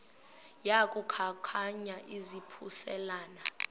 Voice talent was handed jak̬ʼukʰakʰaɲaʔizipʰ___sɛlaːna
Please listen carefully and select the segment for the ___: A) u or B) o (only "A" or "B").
A